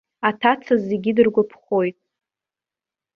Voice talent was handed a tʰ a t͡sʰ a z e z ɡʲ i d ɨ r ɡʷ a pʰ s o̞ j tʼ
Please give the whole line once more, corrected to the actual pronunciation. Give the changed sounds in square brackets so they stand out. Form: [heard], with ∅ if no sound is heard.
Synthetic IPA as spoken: a tʰ a t͡sʰ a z e [∅] ɡʲ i d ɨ r ɡʷ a pʰ [χ] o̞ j tʼ

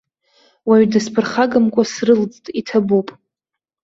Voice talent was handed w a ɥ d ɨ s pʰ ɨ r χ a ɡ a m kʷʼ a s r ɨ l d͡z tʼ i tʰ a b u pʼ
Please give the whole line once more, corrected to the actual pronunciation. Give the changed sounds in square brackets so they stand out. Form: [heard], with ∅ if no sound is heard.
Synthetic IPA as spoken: w a ɥ d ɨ s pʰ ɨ r χ a ɡ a m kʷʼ a s r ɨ l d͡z tʼ i tʰ a b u pʼ

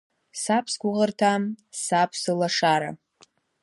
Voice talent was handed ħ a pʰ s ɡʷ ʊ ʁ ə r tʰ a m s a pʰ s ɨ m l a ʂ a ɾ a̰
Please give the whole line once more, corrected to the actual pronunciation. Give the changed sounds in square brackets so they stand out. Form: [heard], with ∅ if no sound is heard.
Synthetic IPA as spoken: [s] a pʰ s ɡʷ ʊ ʁ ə r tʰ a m s a pʰ s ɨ [∅] l a ʂ a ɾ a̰

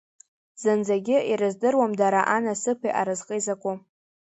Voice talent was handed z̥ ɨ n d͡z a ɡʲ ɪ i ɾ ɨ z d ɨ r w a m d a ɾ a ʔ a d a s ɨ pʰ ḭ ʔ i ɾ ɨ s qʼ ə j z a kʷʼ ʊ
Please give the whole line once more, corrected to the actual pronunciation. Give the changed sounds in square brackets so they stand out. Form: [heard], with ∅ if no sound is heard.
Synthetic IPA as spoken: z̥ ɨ n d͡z a ɡʲ ɪ i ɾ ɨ z d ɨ r w a m d a ɾ a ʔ a [n] a s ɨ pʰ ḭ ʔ [a] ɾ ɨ [z] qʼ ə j z a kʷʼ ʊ

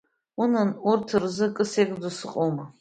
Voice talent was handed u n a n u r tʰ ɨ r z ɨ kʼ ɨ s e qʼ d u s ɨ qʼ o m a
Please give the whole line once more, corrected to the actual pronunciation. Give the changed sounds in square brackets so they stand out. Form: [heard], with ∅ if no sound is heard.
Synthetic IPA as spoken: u n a n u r tʰ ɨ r z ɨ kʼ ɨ s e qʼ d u s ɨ qʼ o m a

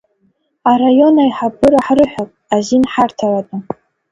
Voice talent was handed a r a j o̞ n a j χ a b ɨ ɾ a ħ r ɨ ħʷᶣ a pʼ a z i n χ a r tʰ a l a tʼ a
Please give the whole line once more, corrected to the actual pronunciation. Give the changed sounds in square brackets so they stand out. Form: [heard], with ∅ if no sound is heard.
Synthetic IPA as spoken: a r a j o̞ n a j [ħ] a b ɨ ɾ a ħ r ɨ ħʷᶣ a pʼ a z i n [ħ] a r tʰ a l a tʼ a

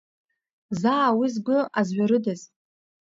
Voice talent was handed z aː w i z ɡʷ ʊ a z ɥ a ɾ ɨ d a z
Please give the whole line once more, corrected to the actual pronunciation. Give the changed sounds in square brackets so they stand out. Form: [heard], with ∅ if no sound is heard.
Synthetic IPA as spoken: z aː w i z ɡʷ ʊ a z ɥ a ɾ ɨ d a z

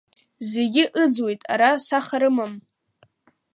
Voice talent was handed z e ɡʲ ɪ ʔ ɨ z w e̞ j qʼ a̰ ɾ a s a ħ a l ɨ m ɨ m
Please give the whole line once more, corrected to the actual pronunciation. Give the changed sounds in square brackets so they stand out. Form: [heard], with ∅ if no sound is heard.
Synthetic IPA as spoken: z e ɡʲ ɪ ʔ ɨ [d͡z] w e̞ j [tʼ] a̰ ɾ a s a [χ] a [ɾ] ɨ m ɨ m

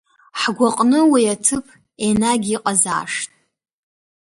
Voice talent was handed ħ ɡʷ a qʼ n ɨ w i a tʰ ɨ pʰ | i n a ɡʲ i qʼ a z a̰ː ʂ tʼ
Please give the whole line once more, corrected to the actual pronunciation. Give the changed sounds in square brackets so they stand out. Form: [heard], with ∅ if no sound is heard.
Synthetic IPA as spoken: ħ ɡʷ a qʼ n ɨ w i a tʰ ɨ pʰ | [e] n a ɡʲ i qʼ a z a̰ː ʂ tʼ

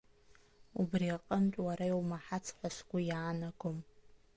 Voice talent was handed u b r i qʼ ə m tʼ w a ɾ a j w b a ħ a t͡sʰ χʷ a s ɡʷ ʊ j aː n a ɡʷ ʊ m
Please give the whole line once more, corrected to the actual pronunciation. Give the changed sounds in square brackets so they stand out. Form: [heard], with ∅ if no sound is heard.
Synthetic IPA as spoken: u b r i qʼ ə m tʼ w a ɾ a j w [m] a ħ a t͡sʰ [ħʷ] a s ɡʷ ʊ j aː n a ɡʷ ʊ m

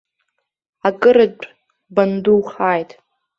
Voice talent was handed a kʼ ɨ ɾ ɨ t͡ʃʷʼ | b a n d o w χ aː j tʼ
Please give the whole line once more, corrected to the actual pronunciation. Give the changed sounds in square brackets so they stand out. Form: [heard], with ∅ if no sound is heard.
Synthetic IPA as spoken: a kʼ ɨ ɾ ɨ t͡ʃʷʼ | b a n d [u] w χ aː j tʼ

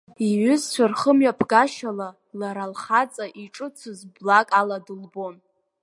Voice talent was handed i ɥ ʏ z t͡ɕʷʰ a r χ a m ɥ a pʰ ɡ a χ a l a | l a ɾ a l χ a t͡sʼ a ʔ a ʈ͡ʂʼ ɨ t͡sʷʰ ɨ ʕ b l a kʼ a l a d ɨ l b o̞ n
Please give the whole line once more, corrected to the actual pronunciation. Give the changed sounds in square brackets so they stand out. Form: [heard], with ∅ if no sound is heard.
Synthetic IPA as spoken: i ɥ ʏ z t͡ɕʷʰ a r χ [ə] m ɥ a pʰ ɡ a [ʃ] a l a | l a ɾ a l χ a t͡sʼ a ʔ [i] ʈ͡ʂʼ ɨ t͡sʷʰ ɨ [z] b l a kʼ a l a d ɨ l b o̞ n

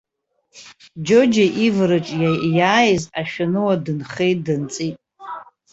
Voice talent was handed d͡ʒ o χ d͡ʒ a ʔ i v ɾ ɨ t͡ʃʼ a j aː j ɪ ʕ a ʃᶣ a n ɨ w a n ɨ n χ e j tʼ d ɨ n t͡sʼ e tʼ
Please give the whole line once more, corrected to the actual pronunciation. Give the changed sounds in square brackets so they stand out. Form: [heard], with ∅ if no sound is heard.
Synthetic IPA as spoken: d͡ʒ o [∅] d͡ʒ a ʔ i v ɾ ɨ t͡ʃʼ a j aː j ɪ [z] a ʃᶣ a n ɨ w a [d] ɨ n χ e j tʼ d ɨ n t͡sʼ [i] tʼ

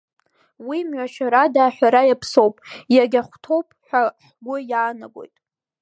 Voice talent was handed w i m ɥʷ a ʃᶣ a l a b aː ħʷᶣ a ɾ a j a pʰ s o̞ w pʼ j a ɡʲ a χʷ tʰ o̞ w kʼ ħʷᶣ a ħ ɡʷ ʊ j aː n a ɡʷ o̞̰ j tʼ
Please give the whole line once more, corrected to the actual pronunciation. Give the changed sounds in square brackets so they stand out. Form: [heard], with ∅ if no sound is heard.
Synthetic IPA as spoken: w i m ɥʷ a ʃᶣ a [ɾ] a [d] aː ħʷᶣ a ɾ a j a pʰ s o̞ w pʼ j a ɡʲ a χʷ tʰ o̞ w [pʼ] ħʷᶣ a ħ ɡʷ ʊ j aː n a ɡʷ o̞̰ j tʼ

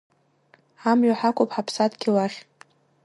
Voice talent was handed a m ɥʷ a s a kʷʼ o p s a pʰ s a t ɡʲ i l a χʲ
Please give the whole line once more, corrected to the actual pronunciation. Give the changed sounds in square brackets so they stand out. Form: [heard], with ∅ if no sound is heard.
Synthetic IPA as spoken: a m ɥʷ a [ħ] a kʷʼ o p [ħ] a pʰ s a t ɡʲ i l a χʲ

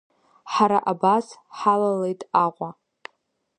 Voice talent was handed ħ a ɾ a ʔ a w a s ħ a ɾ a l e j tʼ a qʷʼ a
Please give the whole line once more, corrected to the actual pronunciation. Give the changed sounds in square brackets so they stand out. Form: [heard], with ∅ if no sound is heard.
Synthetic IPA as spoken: ħ a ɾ a ʔ a [b] a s ħ a [l] a l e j tʼ a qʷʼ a

